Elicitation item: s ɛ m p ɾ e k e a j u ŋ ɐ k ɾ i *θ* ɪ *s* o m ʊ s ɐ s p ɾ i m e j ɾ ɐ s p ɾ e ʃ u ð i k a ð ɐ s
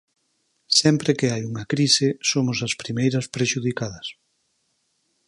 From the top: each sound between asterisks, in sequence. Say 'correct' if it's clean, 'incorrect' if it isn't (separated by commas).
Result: incorrect, correct